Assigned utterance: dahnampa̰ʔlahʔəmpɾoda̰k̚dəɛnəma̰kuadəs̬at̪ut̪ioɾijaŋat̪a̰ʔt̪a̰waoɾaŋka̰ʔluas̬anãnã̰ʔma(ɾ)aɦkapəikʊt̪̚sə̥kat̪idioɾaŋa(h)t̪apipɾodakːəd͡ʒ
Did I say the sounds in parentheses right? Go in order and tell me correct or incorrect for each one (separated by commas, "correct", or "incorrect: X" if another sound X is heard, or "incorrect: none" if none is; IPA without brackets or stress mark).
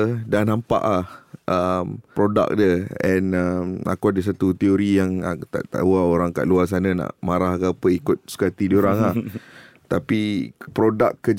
correct, correct